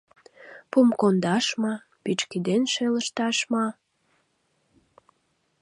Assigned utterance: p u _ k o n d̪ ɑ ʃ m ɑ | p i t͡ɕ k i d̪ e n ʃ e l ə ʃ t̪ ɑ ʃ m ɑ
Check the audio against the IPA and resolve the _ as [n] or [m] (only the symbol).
m